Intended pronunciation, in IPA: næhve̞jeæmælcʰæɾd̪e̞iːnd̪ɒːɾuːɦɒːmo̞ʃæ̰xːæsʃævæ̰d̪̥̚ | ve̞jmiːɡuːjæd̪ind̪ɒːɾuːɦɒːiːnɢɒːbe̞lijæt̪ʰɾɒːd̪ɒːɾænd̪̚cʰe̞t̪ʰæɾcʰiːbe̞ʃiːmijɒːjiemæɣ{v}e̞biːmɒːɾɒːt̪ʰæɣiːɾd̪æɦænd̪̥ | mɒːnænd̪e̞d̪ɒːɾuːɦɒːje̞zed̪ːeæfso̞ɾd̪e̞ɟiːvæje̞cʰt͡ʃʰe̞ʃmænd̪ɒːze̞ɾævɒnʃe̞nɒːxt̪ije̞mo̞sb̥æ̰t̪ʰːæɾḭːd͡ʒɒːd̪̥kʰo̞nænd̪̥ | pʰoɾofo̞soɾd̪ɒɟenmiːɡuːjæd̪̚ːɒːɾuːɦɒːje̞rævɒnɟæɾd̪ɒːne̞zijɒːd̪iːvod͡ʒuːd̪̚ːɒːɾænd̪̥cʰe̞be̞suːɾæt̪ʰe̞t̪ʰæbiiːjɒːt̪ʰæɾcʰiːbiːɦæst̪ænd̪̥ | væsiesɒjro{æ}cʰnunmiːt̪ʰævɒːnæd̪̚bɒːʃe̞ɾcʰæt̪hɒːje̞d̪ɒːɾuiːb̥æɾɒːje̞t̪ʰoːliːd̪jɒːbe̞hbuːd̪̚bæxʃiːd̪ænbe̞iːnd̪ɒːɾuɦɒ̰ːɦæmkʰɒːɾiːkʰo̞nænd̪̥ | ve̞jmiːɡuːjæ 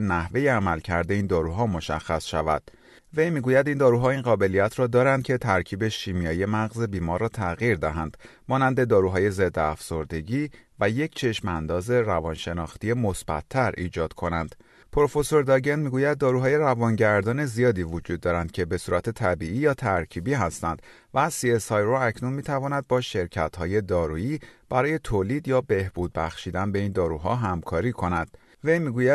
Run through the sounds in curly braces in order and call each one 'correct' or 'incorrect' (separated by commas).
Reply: incorrect, correct